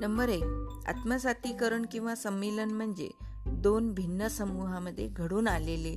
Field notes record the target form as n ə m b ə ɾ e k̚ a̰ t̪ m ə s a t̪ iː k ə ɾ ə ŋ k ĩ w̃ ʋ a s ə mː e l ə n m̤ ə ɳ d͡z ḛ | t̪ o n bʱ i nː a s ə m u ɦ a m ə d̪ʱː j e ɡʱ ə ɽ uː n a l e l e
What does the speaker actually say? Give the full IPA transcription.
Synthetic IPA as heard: n ə m b ə ɾ e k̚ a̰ t̪ m ə s a t̪ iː k ə ɾ ə ɳ k ĩ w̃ ʋ a s ə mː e l ə n m̤ ə ɳ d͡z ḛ | d̪ o n bʱ i nː ə s ə m u ɦ a m ə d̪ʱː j e ɡʱ ə ɽ uː n a l e l e